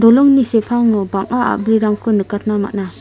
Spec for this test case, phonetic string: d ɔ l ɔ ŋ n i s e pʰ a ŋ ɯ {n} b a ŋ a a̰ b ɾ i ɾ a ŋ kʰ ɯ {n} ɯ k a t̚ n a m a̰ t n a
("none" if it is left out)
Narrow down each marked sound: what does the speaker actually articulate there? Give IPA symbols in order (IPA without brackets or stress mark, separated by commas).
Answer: none, n